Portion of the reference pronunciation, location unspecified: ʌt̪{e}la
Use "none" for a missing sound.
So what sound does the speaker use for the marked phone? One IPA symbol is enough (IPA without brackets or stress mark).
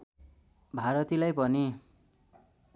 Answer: i